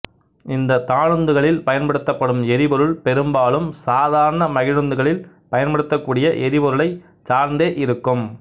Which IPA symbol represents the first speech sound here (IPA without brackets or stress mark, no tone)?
ɪ